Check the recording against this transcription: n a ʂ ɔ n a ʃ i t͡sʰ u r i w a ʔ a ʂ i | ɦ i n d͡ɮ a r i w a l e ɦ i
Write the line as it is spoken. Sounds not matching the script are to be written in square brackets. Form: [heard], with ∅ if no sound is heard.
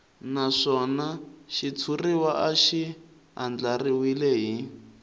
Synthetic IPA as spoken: n a ʂ ɔ n a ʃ i t͡sʰ u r i w a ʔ a [ʃ] i | ɦ [a] n d͡ɮ a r i w [i] l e ɦ i

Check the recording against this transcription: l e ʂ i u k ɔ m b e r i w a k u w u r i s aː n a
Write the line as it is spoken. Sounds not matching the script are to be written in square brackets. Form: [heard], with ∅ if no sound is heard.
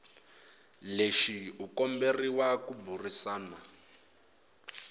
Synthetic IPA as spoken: l e [ʃ] i u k ɔ m b e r i w a k u [b] u r i s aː n a

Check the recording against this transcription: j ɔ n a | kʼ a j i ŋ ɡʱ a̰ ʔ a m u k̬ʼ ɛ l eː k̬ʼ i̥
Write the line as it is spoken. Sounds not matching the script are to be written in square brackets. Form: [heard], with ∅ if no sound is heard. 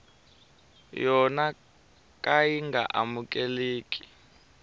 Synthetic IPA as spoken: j ɔ n a | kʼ a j i ŋ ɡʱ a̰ ʔ a m u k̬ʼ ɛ l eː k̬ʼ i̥

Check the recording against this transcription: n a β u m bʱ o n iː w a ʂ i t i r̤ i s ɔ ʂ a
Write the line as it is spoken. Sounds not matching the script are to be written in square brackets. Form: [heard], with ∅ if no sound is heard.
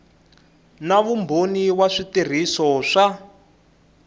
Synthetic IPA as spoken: n a β u m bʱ o n [i] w a ʂ i t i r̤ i s ɔ ʂ a

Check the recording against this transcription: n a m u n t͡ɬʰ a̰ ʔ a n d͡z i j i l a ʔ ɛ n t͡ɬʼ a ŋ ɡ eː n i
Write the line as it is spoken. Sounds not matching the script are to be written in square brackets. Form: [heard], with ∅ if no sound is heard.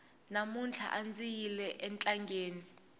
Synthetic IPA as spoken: n a m u n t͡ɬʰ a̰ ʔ a n d͡z i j i l [ɛ] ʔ ɛ n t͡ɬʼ a ŋ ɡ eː n i

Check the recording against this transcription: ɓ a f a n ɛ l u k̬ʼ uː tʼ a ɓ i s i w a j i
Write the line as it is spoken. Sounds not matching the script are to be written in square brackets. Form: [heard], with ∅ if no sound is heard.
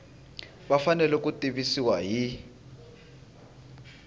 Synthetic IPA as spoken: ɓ a f a n ɛ l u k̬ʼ [u] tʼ [i] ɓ i s i w a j i

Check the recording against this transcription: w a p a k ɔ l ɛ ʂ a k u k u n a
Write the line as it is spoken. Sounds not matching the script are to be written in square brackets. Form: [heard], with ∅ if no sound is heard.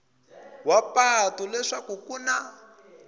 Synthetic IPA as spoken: w a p a [t] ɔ l ɛ ʂ a k u k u n a

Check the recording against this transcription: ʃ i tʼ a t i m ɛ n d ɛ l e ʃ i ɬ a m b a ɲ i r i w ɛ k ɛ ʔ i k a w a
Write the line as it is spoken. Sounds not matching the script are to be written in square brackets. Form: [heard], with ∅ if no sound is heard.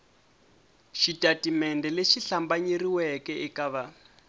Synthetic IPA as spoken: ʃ i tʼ a t i m ɛ n d ɛ l e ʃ i ɬ a m b a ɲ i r i w ɛ k ɛ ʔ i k a [β] a

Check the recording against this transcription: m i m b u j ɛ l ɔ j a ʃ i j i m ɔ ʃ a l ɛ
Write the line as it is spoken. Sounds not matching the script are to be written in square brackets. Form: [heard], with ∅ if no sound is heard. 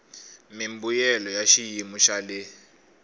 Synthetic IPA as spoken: m i m b u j ɛ l ɔ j a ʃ i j i m [u] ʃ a l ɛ

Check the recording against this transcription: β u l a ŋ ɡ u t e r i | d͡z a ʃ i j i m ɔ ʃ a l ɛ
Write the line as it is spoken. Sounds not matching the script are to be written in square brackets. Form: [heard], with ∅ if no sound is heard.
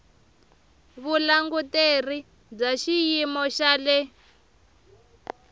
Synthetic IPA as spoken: β u l a ŋ ɡ u t e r i | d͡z a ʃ i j i m ɔ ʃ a l ɛ

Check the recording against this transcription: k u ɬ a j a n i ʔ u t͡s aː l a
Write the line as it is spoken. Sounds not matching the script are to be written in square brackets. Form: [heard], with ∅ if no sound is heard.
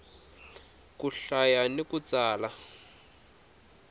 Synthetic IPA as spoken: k u ɬ a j a n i [k] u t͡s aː l a

